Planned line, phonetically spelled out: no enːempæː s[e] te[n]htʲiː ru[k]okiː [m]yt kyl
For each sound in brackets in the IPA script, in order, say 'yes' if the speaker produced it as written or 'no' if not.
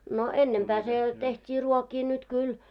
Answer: yes, no, no, no

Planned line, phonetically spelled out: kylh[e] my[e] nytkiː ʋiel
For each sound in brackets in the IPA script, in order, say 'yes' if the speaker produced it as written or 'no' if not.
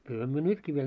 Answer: no, no

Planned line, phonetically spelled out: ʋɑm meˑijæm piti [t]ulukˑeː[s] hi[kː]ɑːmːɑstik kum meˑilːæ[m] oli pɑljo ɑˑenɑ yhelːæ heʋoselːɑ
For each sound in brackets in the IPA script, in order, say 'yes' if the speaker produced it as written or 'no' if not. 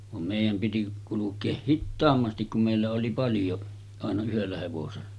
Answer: no, no, no, no

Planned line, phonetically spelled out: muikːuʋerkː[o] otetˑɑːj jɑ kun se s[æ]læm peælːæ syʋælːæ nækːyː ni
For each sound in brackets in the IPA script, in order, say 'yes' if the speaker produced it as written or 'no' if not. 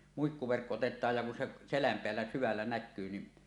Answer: yes, no

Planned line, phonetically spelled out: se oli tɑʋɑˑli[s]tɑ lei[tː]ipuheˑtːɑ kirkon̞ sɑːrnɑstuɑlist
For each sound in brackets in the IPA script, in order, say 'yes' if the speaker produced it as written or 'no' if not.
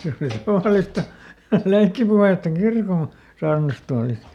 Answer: yes, no

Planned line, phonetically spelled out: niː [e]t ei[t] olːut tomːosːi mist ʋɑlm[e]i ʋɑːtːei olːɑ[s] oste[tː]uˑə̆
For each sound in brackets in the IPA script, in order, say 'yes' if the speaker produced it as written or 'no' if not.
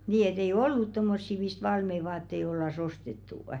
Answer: yes, no, yes, yes, yes

